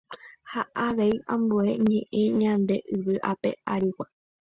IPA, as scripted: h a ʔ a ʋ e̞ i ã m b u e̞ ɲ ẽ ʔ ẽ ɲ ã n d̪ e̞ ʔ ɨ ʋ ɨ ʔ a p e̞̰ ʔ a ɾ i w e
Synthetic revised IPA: h a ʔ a ʋ e̞ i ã m b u e̞ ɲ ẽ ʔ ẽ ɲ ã n d̪ e̞ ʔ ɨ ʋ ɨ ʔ a p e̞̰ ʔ a ɾ i w a